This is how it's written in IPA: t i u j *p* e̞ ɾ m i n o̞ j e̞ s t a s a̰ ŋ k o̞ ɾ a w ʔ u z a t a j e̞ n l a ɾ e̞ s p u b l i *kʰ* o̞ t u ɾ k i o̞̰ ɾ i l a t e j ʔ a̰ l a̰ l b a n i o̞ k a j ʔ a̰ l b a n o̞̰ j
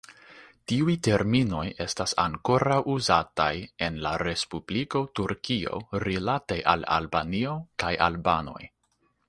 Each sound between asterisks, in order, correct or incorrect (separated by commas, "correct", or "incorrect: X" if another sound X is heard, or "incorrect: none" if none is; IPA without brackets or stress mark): incorrect: t, incorrect: k